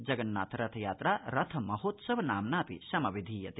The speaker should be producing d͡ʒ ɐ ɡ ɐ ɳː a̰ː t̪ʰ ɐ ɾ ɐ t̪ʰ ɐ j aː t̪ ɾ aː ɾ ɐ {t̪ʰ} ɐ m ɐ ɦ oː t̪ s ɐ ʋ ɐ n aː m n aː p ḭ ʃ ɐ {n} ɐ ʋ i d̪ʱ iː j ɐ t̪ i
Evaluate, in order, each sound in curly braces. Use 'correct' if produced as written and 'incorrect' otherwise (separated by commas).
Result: correct, incorrect